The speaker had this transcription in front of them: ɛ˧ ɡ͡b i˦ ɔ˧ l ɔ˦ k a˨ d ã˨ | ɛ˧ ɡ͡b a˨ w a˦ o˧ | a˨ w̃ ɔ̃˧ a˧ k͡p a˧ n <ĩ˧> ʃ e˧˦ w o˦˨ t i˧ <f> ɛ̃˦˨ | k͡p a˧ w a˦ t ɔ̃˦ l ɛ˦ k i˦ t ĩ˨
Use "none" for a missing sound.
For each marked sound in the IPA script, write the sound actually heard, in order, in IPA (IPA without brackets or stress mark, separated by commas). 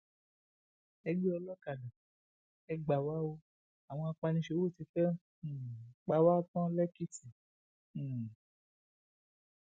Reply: ĩ˧, f